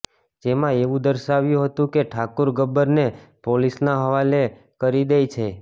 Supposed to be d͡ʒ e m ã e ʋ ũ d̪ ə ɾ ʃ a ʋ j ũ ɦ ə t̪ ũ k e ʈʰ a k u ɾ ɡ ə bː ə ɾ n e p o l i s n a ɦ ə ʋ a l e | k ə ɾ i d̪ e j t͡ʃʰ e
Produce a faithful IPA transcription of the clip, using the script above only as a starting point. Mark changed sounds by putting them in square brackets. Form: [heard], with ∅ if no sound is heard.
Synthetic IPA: d͡ʒ e m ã e ʋ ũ d̪ ə ɾ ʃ a ʋ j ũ ɦ ə t̪ ũ k e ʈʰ a k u ɾ ɡ ə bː ə ɾ n e p o l i s n a ɦ ə ʋ a l e | k ə ɾ i d̪ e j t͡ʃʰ e